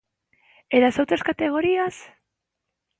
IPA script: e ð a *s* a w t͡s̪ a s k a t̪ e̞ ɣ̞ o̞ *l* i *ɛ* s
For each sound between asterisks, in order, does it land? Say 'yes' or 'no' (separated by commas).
yes, no, no